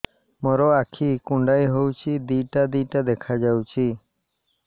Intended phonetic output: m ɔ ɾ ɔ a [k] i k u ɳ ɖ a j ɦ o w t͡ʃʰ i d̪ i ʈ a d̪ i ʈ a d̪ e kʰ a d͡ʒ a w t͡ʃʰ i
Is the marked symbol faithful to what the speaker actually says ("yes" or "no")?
no